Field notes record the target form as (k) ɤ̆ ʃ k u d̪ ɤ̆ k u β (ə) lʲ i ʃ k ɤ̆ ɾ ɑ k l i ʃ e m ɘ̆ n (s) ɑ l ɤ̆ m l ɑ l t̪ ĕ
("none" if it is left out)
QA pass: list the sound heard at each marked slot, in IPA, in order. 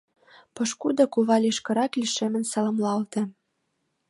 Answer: p, ɑ, s

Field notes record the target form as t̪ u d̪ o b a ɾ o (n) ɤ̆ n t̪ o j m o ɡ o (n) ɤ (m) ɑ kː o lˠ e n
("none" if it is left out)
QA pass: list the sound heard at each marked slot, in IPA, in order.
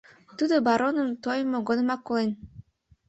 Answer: n, n, m

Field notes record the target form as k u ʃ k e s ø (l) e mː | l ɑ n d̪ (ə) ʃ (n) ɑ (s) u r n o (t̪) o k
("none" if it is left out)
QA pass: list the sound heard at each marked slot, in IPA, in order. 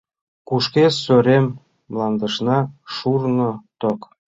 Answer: ɾ, ə, n, ʃ, t̪

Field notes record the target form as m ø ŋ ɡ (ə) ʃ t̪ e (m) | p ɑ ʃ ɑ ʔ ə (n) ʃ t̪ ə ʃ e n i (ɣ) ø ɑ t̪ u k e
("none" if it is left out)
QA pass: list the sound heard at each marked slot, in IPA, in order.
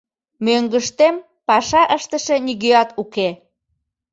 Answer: ə, m, none, ɣ

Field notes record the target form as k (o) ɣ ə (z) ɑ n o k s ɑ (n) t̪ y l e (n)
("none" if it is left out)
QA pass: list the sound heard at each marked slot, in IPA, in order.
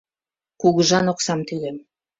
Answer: u, ʒ, m, m

